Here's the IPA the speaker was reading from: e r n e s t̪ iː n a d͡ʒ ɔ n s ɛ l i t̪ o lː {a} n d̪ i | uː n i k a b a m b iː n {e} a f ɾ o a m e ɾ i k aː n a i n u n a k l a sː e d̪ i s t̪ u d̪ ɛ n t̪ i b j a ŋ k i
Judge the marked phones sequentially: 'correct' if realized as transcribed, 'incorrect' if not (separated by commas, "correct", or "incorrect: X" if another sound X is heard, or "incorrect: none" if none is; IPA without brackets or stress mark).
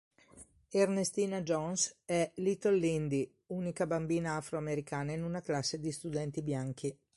incorrect: i, incorrect: a